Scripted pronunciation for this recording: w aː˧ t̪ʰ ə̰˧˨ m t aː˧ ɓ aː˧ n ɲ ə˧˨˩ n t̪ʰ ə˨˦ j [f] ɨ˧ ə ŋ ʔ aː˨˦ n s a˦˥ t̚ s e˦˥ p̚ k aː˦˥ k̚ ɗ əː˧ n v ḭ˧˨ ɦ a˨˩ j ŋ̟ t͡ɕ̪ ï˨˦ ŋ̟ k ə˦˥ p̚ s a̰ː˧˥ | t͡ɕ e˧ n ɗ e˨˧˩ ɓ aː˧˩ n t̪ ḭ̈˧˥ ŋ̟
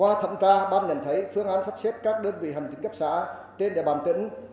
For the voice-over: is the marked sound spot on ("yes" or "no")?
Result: yes